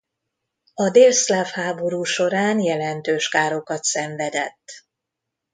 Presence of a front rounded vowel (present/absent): present